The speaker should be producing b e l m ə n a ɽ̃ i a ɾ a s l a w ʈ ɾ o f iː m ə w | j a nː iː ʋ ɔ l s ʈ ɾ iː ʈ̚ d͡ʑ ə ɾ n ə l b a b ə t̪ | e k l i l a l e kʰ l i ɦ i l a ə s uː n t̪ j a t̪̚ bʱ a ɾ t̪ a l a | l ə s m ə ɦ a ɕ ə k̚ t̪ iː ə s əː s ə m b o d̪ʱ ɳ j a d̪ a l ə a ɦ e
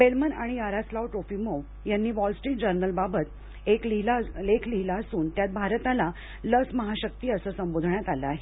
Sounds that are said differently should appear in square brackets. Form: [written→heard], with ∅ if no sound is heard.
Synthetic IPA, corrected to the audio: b e l m ə n a ɽ̃ i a ɾ a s l a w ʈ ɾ o f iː m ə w | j a nː iː ʋ ɔ l s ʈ ɾ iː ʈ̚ d͡ʑ ə ɾ n ə l b a b ə t̪ | e k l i l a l e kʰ l i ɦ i l a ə s uː n t̪ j a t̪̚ bʱ a ɾ t̪ a l a | l ə s m ə ɦ a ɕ ə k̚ t̪ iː ə s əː s ə m b o d̪ʱ ɳ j a [d̪→t̪] a l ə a ɦ e

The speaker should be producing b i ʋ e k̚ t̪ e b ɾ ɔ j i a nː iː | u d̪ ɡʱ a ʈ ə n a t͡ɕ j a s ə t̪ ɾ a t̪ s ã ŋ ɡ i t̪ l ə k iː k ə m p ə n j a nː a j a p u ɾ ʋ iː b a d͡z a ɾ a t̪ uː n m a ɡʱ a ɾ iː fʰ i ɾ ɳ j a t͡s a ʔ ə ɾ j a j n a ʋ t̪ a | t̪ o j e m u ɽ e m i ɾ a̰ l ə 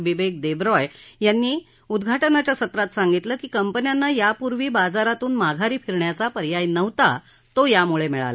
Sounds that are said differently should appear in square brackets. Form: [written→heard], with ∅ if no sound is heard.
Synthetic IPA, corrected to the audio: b i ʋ e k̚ [t̪→d̪] e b ɾ ɔ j [i→j] a nː iː | u d̪ ɡʱ a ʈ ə n a t͡ɕ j a s ə t̪ ɾ a t̪ s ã ŋ ɡ i t̪ l ə k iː k ə m p ə n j a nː a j a p u ɾ ʋ iː b a d͡z a ɾ a t̪ uː n m a ɡʱ a ɾ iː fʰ i ɾ ɳ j a t͡s a [ʔ→p] ə ɾ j a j n [a→ə] ʋ t̪ a | t̪ o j [e→a] m u [ɽ→ɭ] e m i [ɾ→ɭ] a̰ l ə

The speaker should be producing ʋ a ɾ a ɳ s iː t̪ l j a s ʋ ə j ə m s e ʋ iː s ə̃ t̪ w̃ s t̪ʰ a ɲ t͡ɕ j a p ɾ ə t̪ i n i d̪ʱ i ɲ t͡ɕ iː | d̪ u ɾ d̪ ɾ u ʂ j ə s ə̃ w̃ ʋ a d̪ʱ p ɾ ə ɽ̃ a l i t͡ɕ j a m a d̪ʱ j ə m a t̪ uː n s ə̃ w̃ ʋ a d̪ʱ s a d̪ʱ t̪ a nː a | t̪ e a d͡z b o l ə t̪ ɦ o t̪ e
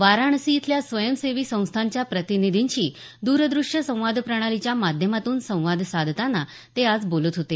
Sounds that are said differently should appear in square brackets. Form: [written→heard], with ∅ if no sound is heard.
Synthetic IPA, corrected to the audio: ʋ a ɾ a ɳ s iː t̪ l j a s ʋ ə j ə m s e ʋ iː s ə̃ [t̪→∅] w̃ s t̪ʰ a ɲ t͡ɕ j a p ɾ ə t̪ i n i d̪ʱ i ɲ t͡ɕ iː | d̪ u ɾ d̪ ɾ u ʂ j ə s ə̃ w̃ ʋ a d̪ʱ p ɾ ə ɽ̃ a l i t͡ɕ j a m a d̪ʱ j ə m a t̪ uː n s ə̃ w̃ ʋ a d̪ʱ s a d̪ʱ t̪ a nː a | t̪ e a d͡z b o l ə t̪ ɦ o t̪ e

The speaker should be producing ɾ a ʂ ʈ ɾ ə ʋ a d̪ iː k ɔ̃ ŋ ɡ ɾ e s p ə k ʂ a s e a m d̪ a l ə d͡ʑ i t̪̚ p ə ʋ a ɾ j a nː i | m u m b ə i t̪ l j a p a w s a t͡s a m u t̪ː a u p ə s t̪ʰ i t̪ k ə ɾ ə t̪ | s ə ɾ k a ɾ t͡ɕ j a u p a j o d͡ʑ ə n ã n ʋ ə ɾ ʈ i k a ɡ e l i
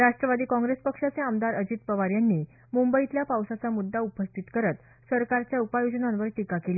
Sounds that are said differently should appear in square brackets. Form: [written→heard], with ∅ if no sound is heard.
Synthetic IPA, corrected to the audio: ɾ a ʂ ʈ ɾ ə ʋ a d̪ iː k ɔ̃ ŋ ɡ ɾ e s p ə k ʂ a [s→t͡s] e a m d̪ a [l→ɾ] ə d͡ʑ i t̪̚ p ə ʋ a ɾ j a nː i | m u m b ə i t̪ l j a p a w s a t͡s a m u [t̪ː→d̪ː] a u p ə s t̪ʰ i t̪ k ə ɾ ə t̪ | s ə ɾ k a ɾ t͡ɕ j a u p a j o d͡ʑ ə n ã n ʋ ə ɾ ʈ i k a [ɡ→k] e l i

